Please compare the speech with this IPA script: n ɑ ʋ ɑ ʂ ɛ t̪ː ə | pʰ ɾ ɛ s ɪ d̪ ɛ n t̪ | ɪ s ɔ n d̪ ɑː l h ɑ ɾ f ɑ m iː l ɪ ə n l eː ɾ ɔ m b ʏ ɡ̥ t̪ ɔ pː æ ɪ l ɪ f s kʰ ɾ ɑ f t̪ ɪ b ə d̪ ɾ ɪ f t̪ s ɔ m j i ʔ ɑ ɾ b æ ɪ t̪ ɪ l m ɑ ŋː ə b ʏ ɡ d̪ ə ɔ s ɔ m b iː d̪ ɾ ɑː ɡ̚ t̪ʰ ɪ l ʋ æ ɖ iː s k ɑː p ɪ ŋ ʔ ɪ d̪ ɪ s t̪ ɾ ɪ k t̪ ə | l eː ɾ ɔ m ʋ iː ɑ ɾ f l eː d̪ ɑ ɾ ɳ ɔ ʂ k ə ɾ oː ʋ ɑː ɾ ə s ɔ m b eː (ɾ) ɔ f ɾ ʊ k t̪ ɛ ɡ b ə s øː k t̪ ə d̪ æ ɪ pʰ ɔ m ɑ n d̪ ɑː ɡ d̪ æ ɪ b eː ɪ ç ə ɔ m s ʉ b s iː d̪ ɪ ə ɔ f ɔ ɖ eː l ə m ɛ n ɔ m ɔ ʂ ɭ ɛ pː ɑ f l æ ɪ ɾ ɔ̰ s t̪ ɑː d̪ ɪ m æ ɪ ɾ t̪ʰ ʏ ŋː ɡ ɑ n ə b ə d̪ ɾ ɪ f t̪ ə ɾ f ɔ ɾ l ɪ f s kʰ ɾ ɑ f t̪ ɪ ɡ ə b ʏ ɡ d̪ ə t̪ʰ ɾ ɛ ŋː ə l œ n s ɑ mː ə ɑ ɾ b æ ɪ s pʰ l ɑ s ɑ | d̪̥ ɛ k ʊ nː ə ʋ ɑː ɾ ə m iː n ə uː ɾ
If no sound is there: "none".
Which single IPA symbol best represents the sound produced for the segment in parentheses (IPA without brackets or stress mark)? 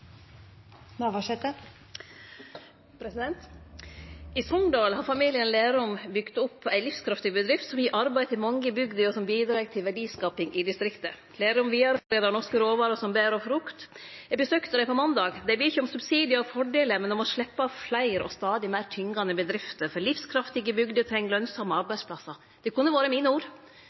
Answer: ɾ